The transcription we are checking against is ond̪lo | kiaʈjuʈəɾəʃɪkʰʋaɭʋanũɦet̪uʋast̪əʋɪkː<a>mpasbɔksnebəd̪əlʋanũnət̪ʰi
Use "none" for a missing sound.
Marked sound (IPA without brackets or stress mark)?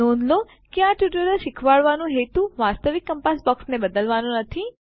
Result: ə